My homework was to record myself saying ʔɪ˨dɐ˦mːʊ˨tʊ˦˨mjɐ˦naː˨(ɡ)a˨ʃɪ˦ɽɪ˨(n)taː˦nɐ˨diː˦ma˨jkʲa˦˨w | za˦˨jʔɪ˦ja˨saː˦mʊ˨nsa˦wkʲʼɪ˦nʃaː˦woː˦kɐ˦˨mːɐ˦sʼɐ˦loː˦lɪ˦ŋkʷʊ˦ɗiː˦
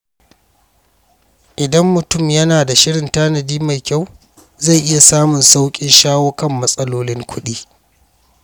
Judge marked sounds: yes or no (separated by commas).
no, yes